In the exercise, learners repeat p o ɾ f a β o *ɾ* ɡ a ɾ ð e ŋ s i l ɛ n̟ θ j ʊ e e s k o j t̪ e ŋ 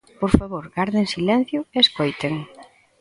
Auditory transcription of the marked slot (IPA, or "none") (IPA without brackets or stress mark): ɾ